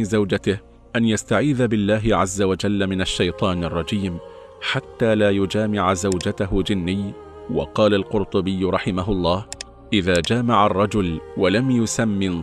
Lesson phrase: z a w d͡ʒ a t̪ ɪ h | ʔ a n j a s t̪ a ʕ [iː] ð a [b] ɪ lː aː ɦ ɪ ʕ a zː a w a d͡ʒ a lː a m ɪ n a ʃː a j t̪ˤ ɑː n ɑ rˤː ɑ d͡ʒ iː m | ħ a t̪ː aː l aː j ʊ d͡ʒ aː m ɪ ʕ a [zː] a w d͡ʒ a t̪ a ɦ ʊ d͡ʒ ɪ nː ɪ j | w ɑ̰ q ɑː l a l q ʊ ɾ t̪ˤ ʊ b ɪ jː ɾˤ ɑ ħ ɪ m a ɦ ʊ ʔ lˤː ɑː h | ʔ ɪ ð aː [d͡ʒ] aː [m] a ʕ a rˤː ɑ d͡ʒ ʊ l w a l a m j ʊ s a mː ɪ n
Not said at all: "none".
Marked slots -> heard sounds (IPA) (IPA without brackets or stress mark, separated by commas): iː, b, z, d͡ʒ, m